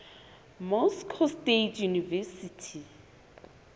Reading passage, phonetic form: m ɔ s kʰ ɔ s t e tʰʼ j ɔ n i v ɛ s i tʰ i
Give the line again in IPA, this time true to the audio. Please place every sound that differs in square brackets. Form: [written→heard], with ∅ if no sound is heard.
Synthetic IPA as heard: m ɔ s kʰ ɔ s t e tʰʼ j [ɔ→u] n i v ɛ s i tʰ i